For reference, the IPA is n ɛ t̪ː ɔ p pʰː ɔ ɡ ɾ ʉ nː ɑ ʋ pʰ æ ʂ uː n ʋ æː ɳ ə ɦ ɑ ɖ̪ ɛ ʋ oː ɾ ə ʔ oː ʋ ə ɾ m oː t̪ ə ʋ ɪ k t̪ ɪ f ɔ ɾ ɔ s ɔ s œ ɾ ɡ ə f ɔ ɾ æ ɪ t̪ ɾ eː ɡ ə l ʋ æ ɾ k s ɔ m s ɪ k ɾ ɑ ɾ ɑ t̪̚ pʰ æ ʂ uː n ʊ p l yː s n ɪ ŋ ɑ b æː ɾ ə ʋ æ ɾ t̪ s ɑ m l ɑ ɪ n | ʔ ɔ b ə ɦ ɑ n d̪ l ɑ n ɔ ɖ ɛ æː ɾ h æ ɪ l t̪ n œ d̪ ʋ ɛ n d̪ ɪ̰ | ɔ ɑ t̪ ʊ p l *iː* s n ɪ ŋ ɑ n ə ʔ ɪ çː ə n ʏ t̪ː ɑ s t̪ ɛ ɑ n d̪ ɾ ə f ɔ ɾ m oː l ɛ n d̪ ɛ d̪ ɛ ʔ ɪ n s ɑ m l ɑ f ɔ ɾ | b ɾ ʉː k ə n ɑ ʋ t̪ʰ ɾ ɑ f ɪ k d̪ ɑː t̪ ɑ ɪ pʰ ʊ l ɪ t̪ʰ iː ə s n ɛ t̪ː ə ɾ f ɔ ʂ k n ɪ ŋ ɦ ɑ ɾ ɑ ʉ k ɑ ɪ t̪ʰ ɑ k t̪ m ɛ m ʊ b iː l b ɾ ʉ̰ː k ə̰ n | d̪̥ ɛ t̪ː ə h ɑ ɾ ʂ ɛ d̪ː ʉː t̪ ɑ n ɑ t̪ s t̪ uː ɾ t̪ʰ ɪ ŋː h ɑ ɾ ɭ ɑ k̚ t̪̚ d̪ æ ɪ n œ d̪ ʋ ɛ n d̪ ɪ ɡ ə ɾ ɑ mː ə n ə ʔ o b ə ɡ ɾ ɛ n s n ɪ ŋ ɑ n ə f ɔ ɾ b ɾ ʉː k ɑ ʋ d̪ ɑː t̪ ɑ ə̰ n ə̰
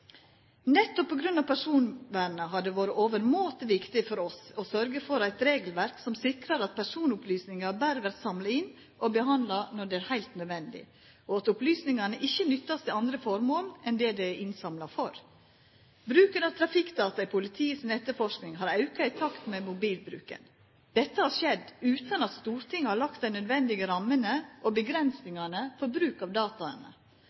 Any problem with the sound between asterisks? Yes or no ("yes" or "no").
yes